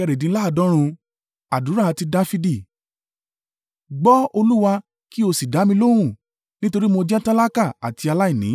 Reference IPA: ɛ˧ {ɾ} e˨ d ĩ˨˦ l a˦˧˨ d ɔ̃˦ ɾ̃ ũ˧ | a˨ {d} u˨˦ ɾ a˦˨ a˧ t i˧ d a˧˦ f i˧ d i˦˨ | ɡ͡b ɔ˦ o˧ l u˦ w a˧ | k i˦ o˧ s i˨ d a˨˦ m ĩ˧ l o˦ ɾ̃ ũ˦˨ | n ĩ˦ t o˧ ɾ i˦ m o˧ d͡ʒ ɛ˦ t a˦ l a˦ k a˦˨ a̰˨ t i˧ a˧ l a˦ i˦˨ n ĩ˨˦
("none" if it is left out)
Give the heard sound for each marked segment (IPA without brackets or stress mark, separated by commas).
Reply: ɾ, d